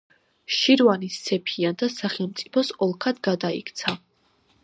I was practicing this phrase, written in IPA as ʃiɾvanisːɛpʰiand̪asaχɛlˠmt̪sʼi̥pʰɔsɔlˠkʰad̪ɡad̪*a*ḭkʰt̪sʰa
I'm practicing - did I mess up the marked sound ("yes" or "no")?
no